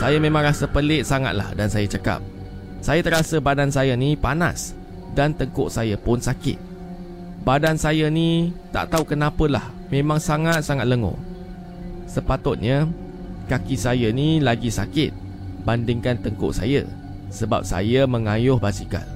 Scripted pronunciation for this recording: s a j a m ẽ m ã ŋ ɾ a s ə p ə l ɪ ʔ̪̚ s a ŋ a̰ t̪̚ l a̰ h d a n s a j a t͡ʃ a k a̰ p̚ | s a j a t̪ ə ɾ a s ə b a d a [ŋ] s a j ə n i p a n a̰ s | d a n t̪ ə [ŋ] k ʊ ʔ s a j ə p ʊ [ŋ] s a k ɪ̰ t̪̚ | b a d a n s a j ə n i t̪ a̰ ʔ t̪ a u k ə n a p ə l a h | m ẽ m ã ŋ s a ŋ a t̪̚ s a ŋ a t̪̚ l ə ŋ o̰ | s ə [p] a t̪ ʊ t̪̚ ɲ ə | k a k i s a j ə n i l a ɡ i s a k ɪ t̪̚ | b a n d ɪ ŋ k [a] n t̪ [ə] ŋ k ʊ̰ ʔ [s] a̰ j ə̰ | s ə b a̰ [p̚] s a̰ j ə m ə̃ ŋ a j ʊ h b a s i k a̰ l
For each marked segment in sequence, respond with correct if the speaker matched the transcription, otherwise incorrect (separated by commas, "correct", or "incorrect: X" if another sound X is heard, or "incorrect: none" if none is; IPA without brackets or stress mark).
incorrect: n, correct, incorrect: n, correct, correct, correct, correct, correct